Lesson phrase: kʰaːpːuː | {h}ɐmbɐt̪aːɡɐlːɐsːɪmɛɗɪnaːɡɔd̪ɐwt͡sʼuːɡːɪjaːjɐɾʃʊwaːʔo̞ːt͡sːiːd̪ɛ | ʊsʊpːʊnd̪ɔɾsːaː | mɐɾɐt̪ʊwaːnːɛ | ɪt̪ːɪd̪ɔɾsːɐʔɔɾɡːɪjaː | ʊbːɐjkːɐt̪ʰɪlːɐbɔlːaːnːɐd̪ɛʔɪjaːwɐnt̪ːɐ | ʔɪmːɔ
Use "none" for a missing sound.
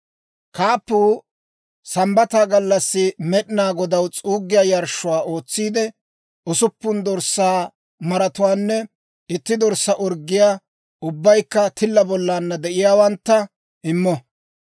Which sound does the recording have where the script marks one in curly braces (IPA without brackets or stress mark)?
s